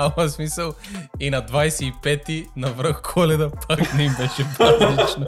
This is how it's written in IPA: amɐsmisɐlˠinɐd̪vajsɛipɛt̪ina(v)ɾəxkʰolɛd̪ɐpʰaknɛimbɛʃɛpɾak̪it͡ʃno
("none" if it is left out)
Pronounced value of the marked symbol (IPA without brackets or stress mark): v